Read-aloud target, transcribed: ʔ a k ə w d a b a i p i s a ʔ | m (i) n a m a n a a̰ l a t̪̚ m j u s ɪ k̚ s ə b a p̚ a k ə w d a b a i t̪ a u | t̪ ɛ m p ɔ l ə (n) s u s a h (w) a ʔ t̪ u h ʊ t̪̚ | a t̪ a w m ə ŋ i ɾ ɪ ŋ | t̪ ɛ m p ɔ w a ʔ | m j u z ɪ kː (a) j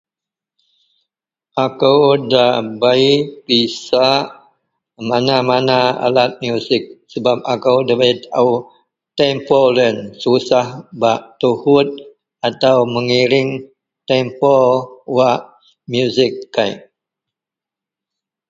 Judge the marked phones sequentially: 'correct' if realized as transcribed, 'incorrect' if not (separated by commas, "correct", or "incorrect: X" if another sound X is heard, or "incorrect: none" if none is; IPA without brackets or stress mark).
incorrect: a, correct, incorrect: b, correct